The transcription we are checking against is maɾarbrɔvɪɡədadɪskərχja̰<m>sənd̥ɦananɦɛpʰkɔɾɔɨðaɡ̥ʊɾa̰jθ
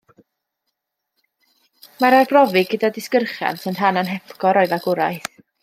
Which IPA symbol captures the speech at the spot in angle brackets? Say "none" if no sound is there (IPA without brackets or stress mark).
n